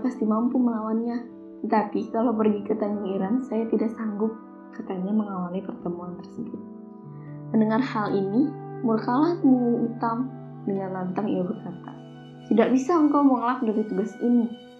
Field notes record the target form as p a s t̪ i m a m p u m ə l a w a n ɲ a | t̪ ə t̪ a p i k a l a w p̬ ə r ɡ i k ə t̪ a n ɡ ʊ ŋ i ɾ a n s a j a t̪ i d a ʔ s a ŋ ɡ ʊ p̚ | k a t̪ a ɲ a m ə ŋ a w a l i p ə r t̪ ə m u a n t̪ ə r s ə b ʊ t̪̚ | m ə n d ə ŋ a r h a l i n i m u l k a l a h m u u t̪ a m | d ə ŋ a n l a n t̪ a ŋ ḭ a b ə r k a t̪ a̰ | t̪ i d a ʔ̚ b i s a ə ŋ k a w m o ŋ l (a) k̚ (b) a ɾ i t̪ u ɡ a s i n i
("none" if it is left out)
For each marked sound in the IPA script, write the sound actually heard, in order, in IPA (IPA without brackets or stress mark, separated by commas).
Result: a, d